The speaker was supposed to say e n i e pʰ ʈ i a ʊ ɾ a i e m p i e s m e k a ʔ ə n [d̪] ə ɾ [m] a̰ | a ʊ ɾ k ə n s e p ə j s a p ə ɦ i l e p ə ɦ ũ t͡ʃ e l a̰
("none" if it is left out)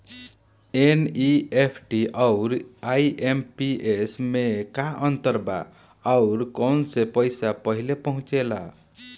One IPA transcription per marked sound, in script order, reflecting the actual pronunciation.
t̪, b

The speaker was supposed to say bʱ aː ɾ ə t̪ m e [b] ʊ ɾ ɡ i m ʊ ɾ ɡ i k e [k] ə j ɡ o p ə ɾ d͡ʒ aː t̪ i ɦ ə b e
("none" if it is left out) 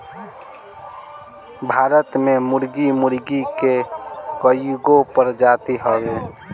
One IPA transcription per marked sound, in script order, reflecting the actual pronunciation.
m, k

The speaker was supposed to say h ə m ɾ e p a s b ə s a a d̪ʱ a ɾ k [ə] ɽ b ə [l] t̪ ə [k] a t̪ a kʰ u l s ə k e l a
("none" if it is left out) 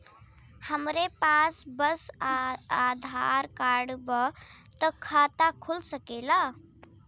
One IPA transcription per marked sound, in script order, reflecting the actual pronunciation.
a, none, kʰ

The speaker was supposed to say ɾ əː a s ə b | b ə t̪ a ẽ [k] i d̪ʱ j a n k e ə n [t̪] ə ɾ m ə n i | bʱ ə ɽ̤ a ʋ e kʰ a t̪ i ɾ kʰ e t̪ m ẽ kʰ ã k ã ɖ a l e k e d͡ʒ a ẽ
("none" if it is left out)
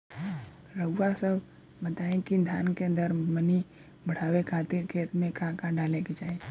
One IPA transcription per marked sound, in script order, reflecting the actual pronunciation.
k, d̪

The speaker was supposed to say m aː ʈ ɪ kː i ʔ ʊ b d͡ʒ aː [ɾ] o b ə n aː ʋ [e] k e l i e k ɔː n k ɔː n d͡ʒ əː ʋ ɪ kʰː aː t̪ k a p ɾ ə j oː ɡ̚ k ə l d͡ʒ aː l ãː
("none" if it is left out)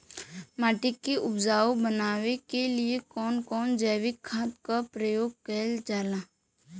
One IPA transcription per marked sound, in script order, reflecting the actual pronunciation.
none, e

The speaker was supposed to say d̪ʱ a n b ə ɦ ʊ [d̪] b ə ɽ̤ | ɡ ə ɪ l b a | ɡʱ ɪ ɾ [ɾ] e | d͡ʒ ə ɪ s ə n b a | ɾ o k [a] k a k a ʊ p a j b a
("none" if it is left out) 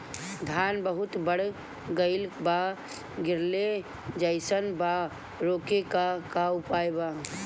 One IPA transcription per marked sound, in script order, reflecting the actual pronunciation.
t̪, l, e

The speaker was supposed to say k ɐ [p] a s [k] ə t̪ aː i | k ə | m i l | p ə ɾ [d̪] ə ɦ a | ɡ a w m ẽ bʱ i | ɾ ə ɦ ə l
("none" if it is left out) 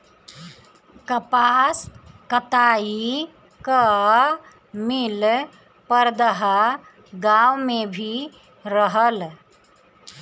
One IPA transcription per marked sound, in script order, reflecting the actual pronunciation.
p, k, d̪

